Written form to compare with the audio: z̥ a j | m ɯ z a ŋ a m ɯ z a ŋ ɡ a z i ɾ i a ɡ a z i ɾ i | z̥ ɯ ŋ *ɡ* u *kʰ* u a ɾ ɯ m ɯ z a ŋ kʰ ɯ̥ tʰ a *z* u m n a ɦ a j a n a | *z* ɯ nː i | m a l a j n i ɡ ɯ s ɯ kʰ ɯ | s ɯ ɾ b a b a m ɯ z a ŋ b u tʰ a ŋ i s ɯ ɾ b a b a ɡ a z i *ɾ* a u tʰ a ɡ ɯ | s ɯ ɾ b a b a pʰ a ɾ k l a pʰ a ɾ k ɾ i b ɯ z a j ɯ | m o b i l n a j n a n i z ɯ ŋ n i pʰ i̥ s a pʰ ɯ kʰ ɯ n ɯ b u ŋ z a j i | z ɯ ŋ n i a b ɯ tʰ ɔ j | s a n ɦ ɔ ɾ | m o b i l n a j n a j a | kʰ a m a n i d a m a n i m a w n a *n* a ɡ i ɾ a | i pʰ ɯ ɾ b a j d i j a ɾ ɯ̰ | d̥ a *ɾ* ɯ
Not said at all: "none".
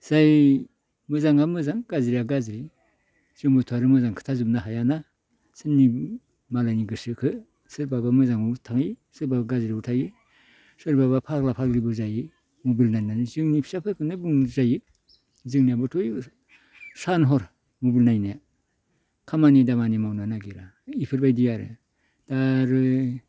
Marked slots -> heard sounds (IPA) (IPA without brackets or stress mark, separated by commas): b, tʰ, z, s, ɾ, n, ɾ